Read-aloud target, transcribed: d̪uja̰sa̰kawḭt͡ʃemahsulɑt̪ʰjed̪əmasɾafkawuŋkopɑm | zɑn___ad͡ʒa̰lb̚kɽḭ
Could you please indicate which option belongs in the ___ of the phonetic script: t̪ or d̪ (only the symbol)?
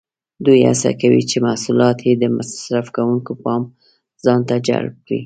t̪